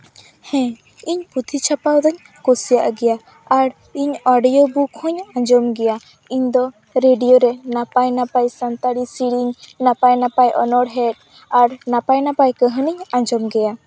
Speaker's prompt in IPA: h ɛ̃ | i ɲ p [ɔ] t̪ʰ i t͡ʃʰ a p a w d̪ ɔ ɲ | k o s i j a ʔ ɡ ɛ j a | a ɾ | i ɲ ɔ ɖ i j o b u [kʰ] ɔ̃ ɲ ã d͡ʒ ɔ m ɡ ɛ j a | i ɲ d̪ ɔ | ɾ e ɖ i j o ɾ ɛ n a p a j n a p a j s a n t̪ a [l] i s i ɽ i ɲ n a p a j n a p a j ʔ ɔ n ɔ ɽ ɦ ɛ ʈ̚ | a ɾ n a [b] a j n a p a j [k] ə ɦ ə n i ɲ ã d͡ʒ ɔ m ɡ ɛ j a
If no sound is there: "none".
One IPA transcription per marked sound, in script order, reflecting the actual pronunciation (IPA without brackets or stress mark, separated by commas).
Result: u, kʰ, ɽ, p, k